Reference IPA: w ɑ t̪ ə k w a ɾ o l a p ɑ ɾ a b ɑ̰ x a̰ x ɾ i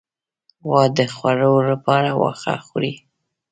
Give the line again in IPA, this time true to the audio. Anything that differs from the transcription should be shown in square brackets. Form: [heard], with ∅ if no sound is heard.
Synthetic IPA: w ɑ [d̪] ə [x] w a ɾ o l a p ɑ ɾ a [w] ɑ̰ x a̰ x ɾ i